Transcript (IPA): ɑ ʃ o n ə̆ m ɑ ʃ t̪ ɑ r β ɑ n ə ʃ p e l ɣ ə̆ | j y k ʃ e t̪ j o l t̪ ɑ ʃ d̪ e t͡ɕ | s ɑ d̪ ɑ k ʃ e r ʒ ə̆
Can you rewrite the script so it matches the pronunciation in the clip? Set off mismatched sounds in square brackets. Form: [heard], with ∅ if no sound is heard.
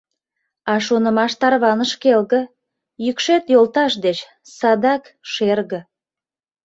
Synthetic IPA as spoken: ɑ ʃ o n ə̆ m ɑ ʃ t̪ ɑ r β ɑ n ə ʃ [k] e l ɣ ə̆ | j y k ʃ e t̪ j o l t̪ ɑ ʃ d̪ e t͡ɕ | s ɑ d̪ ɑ k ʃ e r [ɣ] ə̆